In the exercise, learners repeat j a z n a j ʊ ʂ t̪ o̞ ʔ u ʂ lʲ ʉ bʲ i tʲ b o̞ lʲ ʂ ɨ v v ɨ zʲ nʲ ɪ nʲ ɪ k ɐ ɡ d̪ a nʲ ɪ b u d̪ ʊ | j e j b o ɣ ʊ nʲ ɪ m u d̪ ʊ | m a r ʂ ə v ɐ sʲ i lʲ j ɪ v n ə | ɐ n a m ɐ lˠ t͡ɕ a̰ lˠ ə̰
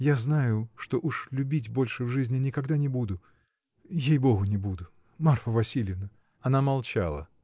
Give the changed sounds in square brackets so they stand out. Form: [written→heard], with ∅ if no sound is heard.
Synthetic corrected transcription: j a z n a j ʊ ʂ t̪ o̞ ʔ u ʂ lʲ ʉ bʲ i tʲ b o̞ lʲ ʂ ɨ v [v→ʐ] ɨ zʲ nʲ ɪ nʲ ɪ k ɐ ɡ d̪ a nʲ ɪ b u d̪ ʊ | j e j b o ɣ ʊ nʲ ɪ [m→b] u d̪ ʊ | m a r [ʂ→f] ə v ɐ sʲ i lʲ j ɪ v n ə | ɐ n a m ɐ lˠ t͡ɕ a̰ lˠ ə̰